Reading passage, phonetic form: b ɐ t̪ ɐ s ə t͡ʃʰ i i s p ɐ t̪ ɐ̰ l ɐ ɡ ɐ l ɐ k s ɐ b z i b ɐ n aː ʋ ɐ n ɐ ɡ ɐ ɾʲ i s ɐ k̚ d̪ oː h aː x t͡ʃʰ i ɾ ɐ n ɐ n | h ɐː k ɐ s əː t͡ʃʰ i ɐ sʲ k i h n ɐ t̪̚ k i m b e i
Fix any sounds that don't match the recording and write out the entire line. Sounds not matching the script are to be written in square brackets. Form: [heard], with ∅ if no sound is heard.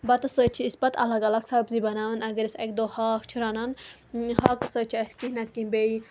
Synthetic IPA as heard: b ɐ t̪ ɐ s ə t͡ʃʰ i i s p ɐ t̪ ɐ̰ l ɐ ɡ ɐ l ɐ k s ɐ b z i b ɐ n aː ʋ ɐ n ɐ ɡ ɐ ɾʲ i s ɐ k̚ d̪ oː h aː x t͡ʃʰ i ɾ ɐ n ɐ n | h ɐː k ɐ s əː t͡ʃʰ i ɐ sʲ k i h n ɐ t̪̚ k i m b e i